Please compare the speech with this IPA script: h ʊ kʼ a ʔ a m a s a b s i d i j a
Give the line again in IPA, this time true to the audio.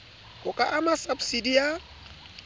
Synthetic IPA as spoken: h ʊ kʼ a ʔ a m a s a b s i d i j a

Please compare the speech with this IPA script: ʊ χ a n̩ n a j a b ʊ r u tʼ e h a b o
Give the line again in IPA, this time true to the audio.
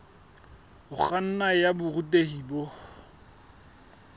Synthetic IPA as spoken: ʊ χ a n̩ n a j a b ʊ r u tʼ e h i b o

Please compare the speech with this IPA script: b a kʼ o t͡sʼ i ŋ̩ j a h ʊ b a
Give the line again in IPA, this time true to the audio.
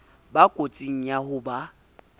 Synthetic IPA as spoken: b a kʼ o t͡sʼ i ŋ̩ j a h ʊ b a

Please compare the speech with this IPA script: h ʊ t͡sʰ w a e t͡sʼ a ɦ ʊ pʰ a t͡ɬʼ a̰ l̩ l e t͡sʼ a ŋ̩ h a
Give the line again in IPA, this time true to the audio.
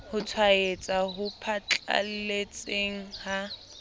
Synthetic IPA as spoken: h ʊ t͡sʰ w a e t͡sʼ a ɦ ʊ pʰ a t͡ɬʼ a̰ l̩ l e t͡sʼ e ŋ̩ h a

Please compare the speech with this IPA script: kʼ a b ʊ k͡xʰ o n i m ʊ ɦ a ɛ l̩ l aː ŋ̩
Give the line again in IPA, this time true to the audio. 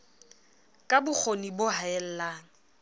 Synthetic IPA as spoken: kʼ a b ʊ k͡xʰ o n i b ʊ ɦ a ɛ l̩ l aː ŋ̩

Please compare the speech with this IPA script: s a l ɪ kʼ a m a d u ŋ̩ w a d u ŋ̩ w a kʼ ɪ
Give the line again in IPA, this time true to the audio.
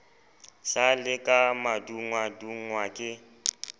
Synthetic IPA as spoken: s a l ɪ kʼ a m a d u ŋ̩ w a d u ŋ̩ w a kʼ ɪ

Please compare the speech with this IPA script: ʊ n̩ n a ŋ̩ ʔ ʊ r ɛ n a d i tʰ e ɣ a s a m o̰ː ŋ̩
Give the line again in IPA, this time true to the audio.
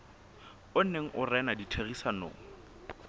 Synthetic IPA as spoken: ʊ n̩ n e ŋ̩ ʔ ʊ r ɛ n a d i tʰ e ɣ i s a n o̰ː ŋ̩

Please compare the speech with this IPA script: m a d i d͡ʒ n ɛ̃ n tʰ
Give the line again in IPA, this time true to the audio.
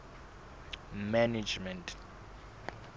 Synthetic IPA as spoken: m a n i d͡ʒ m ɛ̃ n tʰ

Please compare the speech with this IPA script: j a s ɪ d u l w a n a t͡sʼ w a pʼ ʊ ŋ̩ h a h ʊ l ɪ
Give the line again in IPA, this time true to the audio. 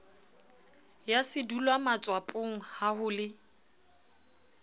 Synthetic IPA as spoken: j a s ɪ d u l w a m a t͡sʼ w a pʼ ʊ ŋ̩ h a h ʊ l ɪ

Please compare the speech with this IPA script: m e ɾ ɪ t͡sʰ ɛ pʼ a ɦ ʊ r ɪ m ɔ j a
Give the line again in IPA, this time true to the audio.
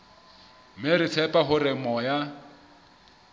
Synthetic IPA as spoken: m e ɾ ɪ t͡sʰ ɛ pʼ a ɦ ʊ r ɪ m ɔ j a

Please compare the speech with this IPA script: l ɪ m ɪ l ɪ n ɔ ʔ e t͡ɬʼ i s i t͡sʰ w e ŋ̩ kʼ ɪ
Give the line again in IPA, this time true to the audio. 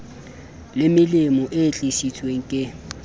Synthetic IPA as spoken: l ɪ m ɪ l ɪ m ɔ ʔ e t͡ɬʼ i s i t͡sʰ w e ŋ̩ kʼ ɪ

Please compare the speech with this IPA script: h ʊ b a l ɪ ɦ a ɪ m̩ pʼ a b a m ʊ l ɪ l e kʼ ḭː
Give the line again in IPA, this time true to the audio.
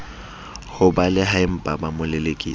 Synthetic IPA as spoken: h ʊ b a l ɪ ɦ a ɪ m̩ pʼ a b a m ʊ l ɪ l e kʼ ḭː

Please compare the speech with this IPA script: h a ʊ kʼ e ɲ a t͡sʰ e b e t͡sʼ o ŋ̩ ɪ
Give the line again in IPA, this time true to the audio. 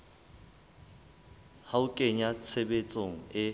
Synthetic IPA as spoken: h a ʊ kʼ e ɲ a t͡sʰ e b e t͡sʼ o ŋ̩ ɪ

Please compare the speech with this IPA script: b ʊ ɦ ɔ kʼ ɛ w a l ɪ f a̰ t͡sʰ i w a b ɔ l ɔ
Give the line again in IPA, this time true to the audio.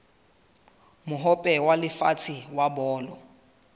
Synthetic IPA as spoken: m ʊ ɦ ɔ pʼ ɛ w a l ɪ f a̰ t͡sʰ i w a b ɔː l ɔ

